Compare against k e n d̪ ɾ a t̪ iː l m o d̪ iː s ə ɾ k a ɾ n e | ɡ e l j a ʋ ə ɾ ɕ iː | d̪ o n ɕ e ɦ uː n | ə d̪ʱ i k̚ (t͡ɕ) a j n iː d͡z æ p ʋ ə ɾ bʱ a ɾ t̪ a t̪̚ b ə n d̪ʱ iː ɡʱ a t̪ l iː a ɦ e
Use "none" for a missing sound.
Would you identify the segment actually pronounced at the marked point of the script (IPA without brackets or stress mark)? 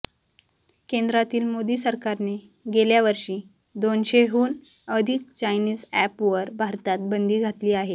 t͡ɕ